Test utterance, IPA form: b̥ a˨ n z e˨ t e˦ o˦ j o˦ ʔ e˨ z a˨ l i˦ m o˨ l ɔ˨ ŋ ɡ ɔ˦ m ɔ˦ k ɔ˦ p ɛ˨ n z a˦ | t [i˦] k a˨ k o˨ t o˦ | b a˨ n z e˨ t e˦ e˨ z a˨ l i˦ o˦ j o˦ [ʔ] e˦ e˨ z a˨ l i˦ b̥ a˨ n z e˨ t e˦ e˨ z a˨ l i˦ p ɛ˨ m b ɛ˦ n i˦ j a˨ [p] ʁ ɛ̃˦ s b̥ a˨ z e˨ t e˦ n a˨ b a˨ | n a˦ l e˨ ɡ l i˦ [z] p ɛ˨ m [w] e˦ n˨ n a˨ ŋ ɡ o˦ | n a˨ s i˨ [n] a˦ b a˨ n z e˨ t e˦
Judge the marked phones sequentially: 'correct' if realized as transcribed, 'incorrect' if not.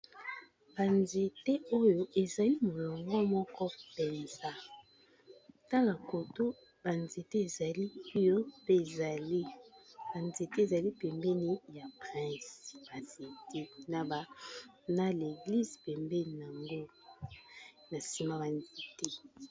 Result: incorrect, incorrect, correct, correct, incorrect, incorrect

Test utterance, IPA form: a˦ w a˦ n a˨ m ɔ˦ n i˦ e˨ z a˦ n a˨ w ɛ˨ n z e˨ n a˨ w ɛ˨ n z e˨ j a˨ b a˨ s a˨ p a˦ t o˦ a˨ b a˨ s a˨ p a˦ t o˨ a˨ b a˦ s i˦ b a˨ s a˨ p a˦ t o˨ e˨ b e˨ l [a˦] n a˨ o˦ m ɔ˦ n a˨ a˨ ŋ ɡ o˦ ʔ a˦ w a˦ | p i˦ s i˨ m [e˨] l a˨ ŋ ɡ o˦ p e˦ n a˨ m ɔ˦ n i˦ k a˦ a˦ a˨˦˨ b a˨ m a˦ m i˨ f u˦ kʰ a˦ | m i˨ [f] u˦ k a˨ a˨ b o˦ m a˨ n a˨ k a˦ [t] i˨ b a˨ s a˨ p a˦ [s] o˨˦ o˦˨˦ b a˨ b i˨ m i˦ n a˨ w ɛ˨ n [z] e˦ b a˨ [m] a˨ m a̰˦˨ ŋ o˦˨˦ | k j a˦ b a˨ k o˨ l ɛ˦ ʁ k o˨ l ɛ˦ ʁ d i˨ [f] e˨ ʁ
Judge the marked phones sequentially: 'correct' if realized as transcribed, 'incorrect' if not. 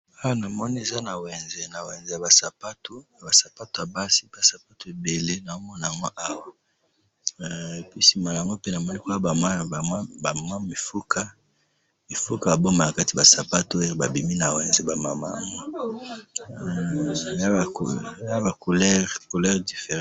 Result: incorrect, incorrect, correct, correct, incorrect, correct, correct, correct

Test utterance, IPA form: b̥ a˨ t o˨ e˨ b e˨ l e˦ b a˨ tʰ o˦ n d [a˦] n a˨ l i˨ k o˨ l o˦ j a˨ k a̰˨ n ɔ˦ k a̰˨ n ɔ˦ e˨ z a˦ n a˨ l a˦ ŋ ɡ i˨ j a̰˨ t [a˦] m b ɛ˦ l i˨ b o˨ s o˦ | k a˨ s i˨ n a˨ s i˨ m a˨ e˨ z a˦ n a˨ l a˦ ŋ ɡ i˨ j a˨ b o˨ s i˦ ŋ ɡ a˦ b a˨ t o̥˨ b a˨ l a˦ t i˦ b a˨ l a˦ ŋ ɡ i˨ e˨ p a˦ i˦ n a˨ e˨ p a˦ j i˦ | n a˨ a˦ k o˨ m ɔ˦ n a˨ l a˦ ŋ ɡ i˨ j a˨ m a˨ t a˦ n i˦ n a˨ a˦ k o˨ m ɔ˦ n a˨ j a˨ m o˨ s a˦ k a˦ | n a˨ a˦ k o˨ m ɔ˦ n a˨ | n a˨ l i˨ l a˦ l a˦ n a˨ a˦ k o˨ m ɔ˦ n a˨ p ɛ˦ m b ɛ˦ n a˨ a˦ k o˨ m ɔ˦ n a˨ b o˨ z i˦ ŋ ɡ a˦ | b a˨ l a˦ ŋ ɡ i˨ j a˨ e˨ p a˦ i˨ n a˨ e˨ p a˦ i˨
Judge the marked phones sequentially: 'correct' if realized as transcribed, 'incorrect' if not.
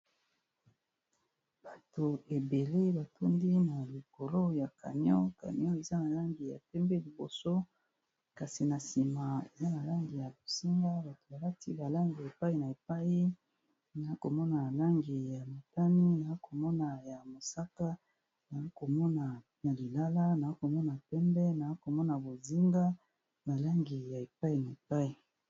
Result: incorrect, incorrect

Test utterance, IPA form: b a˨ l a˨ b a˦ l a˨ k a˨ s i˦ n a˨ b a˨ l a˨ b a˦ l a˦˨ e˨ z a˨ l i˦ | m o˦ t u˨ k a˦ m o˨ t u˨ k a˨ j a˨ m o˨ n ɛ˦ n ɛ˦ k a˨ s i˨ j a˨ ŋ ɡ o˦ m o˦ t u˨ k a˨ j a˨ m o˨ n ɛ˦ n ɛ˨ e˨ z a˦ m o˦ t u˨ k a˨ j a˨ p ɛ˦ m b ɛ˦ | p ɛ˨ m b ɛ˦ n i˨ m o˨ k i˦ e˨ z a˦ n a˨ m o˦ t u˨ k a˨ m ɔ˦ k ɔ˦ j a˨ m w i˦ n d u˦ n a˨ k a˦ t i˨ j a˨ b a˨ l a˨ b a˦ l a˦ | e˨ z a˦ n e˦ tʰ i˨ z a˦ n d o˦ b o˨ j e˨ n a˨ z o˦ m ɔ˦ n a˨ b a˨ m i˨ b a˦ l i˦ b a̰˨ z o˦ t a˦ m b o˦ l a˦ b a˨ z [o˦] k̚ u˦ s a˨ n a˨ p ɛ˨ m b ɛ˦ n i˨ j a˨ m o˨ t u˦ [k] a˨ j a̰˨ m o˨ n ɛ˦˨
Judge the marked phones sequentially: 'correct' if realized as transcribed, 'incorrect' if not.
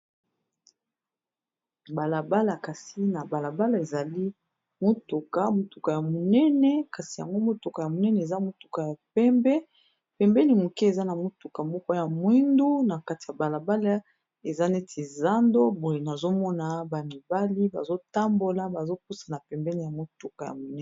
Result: correct, correct

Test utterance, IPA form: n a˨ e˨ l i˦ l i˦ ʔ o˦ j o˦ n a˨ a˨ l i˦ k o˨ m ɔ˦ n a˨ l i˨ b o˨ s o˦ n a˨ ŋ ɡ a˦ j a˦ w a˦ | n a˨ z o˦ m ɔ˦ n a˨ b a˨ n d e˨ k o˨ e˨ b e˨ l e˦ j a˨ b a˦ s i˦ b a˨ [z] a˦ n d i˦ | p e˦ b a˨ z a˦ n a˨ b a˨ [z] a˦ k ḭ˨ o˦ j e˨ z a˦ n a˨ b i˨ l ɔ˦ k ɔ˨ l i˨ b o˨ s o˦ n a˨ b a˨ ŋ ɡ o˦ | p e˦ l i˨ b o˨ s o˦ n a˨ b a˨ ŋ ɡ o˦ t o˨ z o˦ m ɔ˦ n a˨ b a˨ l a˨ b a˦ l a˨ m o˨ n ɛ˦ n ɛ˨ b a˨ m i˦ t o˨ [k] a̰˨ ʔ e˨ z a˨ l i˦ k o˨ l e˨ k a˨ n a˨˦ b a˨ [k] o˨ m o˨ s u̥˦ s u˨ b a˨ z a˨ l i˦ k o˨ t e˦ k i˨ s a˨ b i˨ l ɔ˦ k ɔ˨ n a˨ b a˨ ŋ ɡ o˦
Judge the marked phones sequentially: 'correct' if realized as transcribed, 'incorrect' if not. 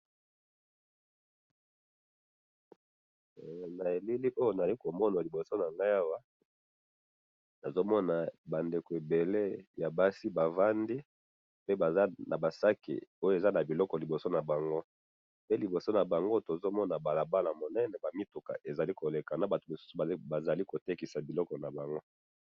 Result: incorrect, incorrect, correct, incorrect

